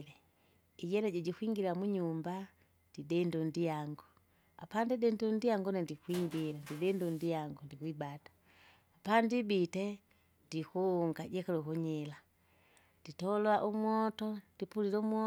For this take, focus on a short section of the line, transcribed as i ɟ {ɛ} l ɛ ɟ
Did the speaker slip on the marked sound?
no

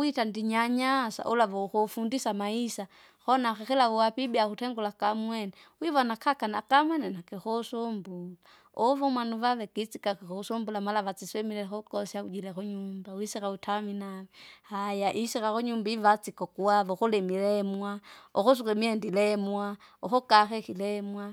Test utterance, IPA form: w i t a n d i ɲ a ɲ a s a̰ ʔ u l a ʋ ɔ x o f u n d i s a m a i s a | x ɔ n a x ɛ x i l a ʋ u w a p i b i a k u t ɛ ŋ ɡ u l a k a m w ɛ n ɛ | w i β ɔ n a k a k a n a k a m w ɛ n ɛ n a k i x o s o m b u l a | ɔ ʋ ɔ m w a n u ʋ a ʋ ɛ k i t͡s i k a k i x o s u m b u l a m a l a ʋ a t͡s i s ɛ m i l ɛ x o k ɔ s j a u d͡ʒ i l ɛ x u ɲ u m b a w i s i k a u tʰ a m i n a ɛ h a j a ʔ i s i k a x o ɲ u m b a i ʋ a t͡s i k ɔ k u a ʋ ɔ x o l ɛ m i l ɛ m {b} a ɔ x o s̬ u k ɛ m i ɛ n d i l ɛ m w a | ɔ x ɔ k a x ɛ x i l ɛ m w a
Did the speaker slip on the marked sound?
yes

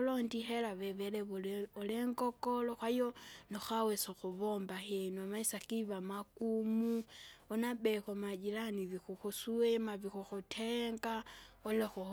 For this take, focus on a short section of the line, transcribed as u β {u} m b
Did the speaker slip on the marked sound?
yes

